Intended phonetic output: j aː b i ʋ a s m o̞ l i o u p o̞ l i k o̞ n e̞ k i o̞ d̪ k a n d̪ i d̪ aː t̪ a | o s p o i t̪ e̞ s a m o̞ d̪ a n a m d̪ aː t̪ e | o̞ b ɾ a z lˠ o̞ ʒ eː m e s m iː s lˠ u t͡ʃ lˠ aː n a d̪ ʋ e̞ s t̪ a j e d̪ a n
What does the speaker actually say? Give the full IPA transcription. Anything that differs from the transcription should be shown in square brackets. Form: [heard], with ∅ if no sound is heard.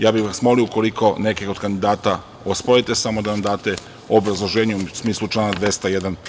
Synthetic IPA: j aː b i ʋ a s m o̞ l i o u [k] o̞ l i k o̞ n e̞ k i o̞ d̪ k a n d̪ i d̪ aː t̪ a | o s p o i t̪ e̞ s a m o̞ d̪ a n a m d̪ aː t̪ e | o̞ b ɾ a z lˠ o̞ ʒ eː [ɲ] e s m iː s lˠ u t͡ʃ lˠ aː n a d̪ ʋ e̞ s t̪ a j e d̪ a n